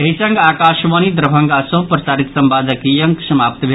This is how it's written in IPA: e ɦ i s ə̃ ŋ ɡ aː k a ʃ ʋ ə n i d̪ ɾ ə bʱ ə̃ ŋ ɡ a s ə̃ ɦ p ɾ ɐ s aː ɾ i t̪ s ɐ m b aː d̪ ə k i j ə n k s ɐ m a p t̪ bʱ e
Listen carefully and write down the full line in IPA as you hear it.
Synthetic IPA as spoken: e ɦ i s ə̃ ŋ ɡ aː k a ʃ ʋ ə n i d̪ ɾ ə bʱ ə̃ ŋ ɡ a s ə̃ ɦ p ɾ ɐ s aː ɾ i t̪ s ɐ m b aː d̪ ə k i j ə ŋ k s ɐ m a p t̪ bʱ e